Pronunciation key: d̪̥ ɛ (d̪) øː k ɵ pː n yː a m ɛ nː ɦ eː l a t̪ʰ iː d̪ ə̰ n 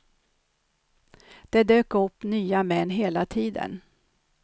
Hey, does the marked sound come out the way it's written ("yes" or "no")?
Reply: yes